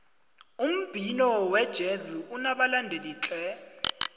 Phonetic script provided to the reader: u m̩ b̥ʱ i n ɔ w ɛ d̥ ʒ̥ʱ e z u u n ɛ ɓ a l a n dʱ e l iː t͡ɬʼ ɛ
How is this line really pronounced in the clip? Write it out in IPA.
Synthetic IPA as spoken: u m̩ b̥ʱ i n ɔ w ɛ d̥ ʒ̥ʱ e z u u n a ɓ a l a n dʱ e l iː t͡ɬʼ ɛ